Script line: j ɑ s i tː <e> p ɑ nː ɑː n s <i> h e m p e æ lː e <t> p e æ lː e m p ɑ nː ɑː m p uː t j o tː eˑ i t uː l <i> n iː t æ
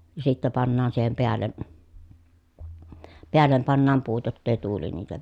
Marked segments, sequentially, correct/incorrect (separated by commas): incorrect, incorrect, incorrect, correct